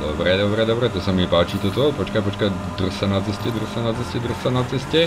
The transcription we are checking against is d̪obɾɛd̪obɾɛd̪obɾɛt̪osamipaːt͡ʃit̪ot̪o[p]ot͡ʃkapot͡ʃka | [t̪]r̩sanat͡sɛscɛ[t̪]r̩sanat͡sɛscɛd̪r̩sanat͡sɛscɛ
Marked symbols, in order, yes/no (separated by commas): yes, no, no